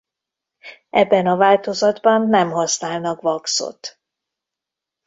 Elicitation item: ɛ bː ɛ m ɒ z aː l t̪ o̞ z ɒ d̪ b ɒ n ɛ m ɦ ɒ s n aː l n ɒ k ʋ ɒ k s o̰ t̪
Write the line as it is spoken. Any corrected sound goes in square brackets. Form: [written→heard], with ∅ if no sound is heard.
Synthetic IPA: ɛ bː ɛ [m→n] ɒ [z→v] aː l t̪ o̞ z ɒ d̪ b ɒ [n→nː] ɛ m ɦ ɒ s n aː l n ɒ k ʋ ɒ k s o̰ t̪